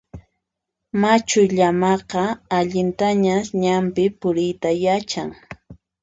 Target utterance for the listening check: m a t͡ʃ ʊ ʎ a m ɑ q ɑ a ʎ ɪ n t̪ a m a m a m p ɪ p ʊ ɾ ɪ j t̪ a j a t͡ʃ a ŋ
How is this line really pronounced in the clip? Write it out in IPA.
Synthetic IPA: m a t͡ʃ ʊ ʎ a m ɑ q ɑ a ʎ ɪ n t̪ a ɲ a ɲ a m p ɪ p ʊ ɾ ɪ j t̪ a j a t͡ʃ a ŋ

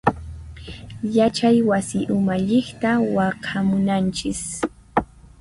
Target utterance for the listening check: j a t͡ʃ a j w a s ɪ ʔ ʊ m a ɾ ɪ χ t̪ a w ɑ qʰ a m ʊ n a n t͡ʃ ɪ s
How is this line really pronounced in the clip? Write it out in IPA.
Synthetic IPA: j a t͡ʃ a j w a s ɪ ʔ ʊ m a ʎ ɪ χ t̪ a w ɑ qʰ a m ʊ n a n t͡ʃ ɪ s

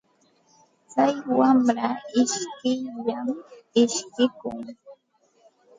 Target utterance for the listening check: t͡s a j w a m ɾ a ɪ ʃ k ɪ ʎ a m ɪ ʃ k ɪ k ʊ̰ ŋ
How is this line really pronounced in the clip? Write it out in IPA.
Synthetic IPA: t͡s a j w a m ɾ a ɪ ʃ k ɪ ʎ a m ɪ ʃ k ɪ k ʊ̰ ŋ

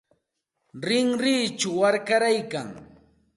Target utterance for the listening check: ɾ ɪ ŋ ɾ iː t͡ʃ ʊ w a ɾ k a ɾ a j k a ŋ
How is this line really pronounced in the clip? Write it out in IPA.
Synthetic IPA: ɾ ɪ ŋ ɾ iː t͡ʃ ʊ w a ɾ k a ɾ a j k a ŋ

